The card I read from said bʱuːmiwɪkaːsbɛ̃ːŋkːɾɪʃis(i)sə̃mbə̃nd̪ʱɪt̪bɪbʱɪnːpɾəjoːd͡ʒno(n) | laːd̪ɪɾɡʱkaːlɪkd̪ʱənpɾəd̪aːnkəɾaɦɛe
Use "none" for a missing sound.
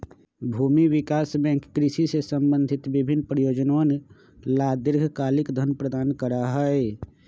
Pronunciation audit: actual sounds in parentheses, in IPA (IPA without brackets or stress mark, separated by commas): e, n